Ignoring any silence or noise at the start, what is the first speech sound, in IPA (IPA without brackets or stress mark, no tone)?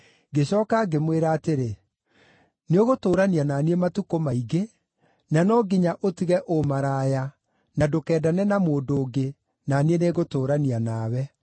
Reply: ɡ